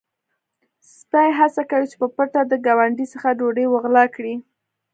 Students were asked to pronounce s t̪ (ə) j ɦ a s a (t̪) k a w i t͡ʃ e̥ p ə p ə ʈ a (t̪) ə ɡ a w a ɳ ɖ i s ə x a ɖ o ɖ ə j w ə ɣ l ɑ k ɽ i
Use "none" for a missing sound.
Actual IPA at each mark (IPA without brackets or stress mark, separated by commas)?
ɑ, none, d̪